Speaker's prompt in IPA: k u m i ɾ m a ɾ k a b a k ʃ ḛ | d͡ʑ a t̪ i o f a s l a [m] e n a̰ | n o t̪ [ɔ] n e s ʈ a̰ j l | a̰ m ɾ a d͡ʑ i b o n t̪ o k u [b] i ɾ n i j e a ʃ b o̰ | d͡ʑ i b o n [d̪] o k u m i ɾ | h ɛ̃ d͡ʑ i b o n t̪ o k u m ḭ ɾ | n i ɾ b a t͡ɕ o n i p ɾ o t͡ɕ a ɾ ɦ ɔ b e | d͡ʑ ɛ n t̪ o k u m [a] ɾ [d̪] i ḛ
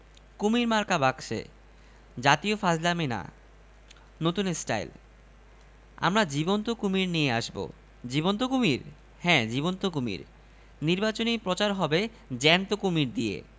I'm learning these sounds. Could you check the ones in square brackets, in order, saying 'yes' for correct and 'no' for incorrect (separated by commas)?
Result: yes, no, no, no, no, yes